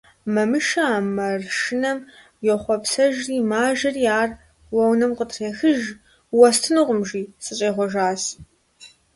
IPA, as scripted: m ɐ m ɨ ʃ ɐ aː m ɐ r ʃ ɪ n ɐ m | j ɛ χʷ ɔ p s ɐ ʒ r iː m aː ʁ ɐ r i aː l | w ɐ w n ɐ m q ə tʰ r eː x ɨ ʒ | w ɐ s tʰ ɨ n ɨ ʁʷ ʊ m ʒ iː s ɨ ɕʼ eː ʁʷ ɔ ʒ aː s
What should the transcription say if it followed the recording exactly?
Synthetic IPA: m ɐ m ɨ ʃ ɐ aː m ɐ r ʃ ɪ n ɐ m | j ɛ χʷ ɔ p s ɐ ʒ r iː m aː ʒ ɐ r i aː r | w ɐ w n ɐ m q ə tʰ r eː x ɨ ʒ | w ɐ s tʰ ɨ n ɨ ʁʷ ʊ m ʒ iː s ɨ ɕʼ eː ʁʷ ɔ ʒ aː s

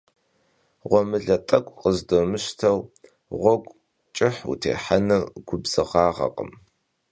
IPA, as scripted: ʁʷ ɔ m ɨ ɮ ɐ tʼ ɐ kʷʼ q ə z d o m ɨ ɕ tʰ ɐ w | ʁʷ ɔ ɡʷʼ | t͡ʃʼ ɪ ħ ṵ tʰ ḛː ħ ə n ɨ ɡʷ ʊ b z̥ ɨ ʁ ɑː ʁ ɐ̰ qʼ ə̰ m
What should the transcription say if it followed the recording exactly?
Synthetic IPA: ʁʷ ɔ m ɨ ɮ ɐ tʼ ɐ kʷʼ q ə z d o m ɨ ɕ tʰ ɐ w | ʁʷ ɔ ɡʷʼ | t͡ʃʼ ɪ ħ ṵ tʰ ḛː ħ a n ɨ ɡʷ ʊ b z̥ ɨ ʁ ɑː ʁ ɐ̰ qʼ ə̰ m

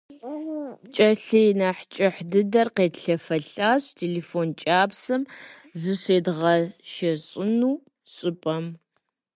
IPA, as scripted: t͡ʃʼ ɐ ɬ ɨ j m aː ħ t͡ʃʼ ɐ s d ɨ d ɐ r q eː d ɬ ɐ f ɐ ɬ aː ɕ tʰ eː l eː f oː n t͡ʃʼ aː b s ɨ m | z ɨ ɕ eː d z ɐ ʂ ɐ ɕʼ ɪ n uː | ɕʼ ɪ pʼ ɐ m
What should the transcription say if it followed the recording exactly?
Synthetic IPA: t͡ʃʼ ɐ ɬ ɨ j n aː ħ t͡ʃʼ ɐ ħ d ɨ d ɐ r q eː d ɬ ɐ f ɐ ɬ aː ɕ tʰ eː l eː f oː n t͡ʃʼ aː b s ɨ m | z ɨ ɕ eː d ʁ ɐ ʃ ɐ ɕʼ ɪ n uː | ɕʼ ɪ pʼ ɐ m

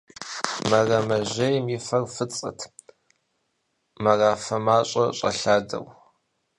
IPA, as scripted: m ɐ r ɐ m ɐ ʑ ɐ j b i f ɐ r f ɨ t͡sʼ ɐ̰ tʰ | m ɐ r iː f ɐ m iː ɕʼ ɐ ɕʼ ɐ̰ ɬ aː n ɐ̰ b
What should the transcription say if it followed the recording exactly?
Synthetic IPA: m ɐ r ɐ m ɐ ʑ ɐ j m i f ɐ r f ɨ t͡sʼ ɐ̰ tʰ | m ɐ r aː f ɐ m aː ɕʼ ɐ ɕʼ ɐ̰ ɬ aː d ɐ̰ w

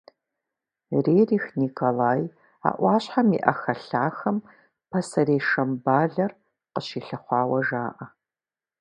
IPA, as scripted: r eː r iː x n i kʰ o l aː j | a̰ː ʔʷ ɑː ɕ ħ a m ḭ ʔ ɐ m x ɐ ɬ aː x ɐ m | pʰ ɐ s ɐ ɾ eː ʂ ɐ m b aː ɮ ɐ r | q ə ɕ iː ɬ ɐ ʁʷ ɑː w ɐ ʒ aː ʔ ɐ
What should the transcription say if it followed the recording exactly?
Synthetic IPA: r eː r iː x n i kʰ o l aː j | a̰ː ʔʷ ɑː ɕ ħ a m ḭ ʔ ɐ x ɐ ɬ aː x ɐ m | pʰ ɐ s ɐ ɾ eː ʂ ɐ m b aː ɮ ɐ r | q ə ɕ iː ɬ ɐ χʷ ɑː w ɐ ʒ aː ʔ ɐ

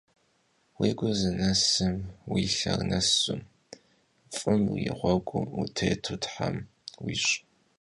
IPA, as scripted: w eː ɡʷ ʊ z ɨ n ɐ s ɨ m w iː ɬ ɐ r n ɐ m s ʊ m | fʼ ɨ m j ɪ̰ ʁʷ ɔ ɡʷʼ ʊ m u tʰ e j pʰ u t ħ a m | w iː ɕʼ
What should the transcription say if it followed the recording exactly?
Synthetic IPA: w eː ɡʷ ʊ z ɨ n ɐ s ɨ m w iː ɬ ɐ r n ɐ s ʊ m | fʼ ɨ m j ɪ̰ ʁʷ ɔ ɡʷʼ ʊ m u tʰ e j tʰ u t ħ a m | w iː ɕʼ

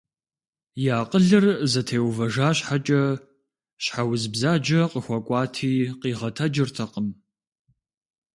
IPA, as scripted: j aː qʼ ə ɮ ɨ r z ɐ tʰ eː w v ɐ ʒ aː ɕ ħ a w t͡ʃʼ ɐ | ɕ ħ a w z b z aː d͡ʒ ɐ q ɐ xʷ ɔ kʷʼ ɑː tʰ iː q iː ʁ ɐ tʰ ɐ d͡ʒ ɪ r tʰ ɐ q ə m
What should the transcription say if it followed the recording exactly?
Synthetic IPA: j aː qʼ ə ɮ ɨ r z ɐ tʰ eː w v ɐ ʒ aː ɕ ħ a t͡ʃʼ ɐ | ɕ ħ a w z b z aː d͡ʒ ɐ q ə xʷ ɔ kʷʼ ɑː tʰ iː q iː ʁ ɐ tʰ ɐ d͡ʒ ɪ r tʰ ɐ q ə m

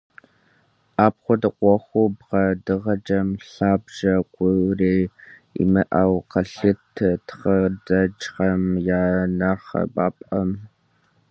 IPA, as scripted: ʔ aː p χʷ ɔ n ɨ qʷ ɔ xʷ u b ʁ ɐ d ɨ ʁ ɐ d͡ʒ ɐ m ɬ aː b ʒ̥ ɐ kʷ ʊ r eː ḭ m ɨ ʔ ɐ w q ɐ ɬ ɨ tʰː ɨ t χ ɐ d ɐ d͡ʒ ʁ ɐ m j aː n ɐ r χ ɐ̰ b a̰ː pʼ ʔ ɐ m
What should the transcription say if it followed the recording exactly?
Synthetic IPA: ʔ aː p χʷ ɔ d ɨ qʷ ɔ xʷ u b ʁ ɐ d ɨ ʁ ɐ d͡ʒ ɐ m ɬ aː b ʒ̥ ɐ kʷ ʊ r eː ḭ m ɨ ʔ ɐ w q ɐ ɬ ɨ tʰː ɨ t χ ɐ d ɐ d͡ʒ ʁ ɐ m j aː n ɐ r χ ɐ̰ b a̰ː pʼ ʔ ɐ m

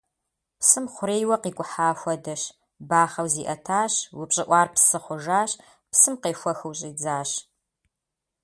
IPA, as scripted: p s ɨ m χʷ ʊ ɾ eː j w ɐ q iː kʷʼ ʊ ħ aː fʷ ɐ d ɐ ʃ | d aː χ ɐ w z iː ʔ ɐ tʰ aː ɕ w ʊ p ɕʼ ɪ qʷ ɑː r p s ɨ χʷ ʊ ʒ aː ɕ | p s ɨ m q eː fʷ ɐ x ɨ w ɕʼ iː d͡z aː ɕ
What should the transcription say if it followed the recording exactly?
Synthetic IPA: p s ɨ m χʷ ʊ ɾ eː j w ɐ q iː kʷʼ ʊ ħ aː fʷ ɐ d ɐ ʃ | b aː χ ɐ w z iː ʔ ɐ tʰ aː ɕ w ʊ p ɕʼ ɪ ʔʷ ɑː r p s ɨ χʷ ʊ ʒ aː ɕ | p s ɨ m q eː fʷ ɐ x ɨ w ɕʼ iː d͡z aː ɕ

